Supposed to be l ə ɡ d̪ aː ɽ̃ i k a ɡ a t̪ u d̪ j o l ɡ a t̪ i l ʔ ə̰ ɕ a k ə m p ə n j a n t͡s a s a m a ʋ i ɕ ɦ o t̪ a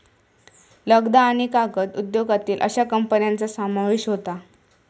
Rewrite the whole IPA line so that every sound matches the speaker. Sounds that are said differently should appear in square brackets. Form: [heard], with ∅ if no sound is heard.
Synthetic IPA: l ə ɡ d̪ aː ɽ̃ i k a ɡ [ə] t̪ u d̪ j o [∅] ɡ a t̪ [iː] l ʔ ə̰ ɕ a k ə m p ə n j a n t͡s a s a m a ʋ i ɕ ɦ o t̪ a